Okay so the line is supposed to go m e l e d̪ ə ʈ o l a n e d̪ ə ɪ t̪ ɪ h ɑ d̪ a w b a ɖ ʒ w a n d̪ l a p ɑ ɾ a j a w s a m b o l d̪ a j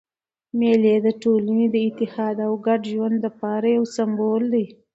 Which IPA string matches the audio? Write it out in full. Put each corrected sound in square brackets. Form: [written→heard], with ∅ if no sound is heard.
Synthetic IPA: m e l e d̪ ə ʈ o l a n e d̪ ə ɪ t̪ ɪ h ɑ d̪ a w [b→ɡ] a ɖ ʒ w a n d̪ l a p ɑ ɾ a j a w s a m b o l d̪ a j

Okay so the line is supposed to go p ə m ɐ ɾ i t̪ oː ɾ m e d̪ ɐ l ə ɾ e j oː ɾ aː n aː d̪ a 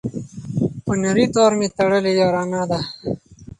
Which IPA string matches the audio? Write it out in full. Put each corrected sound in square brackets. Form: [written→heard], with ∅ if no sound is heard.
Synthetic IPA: p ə [m→n] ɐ ɾ i t̪ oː ɾ m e [d̪→t̪] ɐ [l→ɽ] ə [ɾ→l] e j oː ɾ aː n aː d̪ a

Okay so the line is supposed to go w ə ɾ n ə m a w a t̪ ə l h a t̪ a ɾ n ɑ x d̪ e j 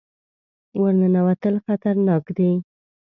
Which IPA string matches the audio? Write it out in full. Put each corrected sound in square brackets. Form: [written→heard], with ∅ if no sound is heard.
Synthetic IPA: w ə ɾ n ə [m→n] a w a t̪ ə l [h→x] a t̪ a ɾ n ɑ [x→k] d̪ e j

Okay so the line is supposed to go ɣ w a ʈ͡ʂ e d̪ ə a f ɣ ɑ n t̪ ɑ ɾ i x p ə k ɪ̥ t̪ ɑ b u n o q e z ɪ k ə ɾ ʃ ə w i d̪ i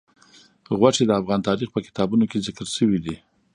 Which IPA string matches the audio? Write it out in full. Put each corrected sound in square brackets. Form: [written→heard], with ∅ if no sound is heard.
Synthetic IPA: ɣ w a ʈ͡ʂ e d̪ ə a f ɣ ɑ n t̪ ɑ ɾ i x p ə k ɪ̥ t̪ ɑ b u n o [q→k] e z ɪ k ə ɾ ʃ ə w i d̪ i

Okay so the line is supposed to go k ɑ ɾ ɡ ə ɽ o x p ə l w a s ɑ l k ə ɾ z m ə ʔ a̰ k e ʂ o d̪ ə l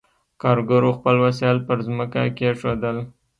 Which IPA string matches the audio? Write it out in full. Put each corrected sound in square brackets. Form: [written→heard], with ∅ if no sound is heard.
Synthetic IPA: k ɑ ɾ ɡ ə [ɽ→ɾ] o x p ə l w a s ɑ l [k→p] ə ɾ z m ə [ʔ→k] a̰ k e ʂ o d̪ ə l

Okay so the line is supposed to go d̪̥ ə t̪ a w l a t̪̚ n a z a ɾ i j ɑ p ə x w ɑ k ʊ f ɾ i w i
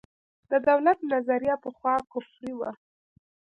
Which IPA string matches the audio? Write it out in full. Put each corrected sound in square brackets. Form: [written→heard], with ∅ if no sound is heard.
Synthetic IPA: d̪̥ ə [t̪→d̪] a w l a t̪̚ n a z a ɾ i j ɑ p ə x w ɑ k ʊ f ɾ i w [i→a]

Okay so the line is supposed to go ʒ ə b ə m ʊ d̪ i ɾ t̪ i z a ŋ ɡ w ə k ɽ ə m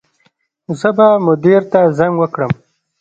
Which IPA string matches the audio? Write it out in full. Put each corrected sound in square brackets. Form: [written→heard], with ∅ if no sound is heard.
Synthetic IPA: [ʒ→z] ə b [ə→a] m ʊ d̪ i ɾ t̪ [i→a] z a ŋ ɡ w ə k ɽ ə m

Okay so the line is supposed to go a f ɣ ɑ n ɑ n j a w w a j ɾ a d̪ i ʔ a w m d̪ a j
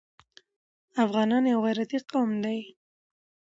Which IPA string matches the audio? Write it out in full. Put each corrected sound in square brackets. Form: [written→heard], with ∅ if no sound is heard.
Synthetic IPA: a f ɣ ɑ n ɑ n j a w [w→ɣ] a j ɾ a [d̪→t̪] i [ʔ→q] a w m d̪ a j

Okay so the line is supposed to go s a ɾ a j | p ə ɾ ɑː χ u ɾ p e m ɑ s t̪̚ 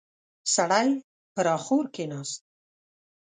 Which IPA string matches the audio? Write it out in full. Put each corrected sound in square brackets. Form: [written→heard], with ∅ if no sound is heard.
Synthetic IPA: s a [ɾ→ɽ] a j | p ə ɾ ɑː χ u ɾ [p→k] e [m→n] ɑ s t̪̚

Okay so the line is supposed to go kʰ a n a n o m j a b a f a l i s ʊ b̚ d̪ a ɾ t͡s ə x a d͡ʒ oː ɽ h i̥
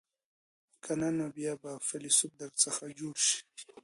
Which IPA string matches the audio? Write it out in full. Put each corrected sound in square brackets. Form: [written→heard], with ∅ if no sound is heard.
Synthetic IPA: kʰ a n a n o [m→b] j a b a f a l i s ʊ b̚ d̪ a ɾ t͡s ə x a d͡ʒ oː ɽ [h→ʃ] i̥

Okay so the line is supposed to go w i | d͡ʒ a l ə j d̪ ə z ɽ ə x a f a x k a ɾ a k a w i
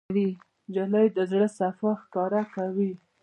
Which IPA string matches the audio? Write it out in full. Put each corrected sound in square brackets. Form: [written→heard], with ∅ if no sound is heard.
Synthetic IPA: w i | d͡ʒ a l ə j d̪ ə z ɽ ə [x→s] a f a x k [a→ɑ] ɾ a k a w i

